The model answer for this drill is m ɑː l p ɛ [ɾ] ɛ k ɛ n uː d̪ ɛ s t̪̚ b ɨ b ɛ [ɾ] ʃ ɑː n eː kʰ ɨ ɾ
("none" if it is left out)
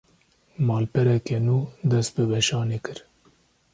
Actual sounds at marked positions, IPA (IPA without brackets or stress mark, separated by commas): ɾ, none